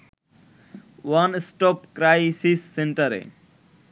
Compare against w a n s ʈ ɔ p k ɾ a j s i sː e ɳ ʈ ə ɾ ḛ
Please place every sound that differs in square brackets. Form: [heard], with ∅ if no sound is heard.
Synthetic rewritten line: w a n s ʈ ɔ p k ɾ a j s i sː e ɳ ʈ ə ɾ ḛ